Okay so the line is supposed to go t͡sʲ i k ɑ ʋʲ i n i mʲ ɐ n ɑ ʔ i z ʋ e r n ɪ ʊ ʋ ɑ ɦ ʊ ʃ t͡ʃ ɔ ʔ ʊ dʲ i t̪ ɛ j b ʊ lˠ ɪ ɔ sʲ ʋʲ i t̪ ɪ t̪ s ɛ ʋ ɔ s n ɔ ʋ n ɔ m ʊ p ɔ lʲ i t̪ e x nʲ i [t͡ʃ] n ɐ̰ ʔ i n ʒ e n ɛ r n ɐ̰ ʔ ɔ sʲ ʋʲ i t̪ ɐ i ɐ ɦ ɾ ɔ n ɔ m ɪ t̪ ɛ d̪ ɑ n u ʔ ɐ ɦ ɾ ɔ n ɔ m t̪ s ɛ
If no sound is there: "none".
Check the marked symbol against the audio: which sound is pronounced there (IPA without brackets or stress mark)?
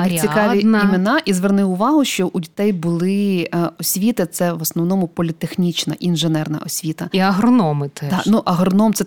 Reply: t͡ʃ